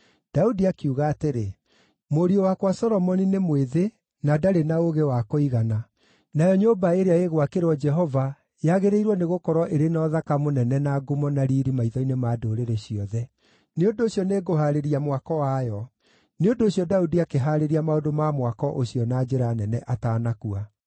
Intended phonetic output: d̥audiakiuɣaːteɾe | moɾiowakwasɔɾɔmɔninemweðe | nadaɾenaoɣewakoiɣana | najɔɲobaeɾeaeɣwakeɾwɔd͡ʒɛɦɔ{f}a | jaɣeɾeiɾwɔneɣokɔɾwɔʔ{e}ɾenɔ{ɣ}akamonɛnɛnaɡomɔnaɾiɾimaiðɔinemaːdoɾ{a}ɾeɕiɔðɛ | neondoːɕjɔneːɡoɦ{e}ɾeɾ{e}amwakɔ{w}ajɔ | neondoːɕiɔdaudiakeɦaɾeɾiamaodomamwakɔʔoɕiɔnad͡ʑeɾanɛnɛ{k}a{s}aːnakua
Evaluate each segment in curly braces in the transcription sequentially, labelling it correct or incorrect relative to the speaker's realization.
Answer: incorrect: v, correct, incorrect: ð, incorrect: e, incorrect: a, incorrect: i, correct, incorrect: ʔ, incorrect: t

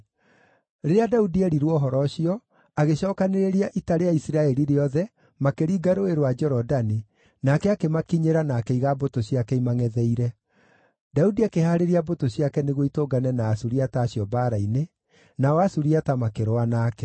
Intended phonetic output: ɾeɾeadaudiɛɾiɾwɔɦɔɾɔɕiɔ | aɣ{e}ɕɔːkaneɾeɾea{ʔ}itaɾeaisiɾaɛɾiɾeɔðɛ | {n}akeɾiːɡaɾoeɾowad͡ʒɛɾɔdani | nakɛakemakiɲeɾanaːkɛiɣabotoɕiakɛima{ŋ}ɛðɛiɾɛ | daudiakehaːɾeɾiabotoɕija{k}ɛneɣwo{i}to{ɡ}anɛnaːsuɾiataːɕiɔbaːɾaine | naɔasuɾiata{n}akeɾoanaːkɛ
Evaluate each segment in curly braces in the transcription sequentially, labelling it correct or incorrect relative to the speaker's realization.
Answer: correct, correct, incorrect: m, correct, correct, correct, correct, incorrect: m

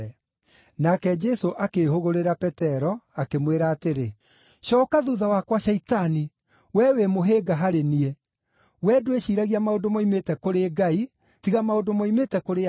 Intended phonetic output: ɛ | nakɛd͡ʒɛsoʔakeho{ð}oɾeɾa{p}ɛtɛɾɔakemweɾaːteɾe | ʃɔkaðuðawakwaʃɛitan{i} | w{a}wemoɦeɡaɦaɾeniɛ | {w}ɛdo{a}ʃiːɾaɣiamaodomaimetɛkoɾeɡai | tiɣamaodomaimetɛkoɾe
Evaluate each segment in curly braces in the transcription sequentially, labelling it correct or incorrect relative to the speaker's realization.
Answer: incorrect: ɣ, correct, correct, incorrect: ɛ, correct, incorrect: e

